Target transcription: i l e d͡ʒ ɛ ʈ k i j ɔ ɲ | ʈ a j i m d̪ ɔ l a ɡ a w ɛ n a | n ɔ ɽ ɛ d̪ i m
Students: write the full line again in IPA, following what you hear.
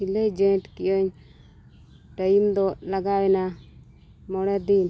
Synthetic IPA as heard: i l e d͡ʒ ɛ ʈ k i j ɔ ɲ | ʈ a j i m d̪ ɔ l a ɡ a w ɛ n a | m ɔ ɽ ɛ d̪ i n